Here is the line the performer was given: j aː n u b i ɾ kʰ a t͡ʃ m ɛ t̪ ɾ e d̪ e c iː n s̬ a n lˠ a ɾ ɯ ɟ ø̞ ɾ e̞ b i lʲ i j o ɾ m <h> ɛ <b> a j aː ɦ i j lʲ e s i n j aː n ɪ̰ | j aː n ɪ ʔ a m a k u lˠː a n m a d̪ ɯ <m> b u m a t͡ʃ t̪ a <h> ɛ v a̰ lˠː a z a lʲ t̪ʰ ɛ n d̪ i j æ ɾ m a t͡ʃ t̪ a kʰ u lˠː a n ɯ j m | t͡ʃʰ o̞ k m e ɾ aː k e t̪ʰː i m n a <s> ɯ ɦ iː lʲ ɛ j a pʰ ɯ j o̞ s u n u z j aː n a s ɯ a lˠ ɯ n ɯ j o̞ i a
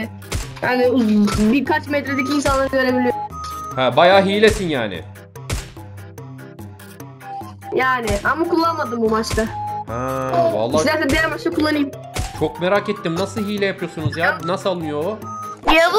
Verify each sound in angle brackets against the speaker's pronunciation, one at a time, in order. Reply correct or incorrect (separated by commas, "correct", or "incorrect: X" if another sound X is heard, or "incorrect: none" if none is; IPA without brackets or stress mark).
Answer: correct, correct, correct, correct, correct